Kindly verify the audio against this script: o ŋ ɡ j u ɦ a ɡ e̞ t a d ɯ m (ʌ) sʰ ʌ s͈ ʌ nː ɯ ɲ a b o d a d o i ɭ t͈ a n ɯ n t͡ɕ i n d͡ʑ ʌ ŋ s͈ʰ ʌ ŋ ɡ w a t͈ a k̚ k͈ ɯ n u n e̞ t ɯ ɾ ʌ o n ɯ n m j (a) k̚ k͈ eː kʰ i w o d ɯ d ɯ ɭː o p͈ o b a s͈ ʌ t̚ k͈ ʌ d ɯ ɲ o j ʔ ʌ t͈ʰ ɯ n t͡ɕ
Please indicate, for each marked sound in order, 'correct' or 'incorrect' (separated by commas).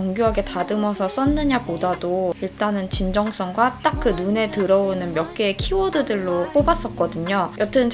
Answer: correct, incorrect